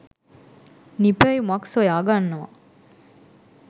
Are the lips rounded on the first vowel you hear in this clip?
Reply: no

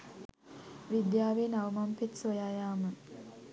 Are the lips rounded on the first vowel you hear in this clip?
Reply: no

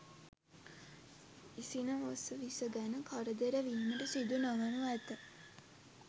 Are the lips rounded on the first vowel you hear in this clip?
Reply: no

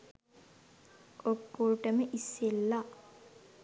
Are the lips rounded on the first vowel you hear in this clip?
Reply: yes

